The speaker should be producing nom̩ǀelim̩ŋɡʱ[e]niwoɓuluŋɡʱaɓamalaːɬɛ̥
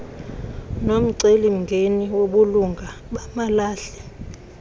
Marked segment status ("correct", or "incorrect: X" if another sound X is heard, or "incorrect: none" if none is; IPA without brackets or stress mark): correct